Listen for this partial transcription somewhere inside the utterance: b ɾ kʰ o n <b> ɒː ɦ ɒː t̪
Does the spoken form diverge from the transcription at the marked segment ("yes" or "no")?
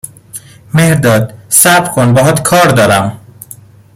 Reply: no